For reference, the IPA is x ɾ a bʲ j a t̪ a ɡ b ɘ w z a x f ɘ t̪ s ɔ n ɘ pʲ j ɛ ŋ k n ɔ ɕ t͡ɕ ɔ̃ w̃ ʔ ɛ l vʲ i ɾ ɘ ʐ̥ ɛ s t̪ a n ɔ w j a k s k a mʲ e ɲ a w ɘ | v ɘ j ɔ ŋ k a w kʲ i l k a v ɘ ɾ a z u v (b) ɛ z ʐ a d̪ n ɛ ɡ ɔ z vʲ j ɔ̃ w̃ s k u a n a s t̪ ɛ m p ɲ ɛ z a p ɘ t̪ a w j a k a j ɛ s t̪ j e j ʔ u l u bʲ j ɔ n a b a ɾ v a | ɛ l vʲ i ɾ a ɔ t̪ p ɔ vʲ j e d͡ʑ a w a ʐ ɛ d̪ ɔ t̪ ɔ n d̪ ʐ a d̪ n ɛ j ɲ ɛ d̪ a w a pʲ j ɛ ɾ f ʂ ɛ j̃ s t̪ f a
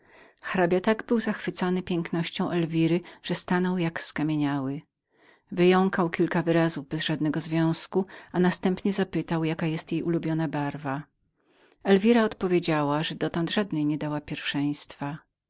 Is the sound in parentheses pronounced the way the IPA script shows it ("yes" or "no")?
yes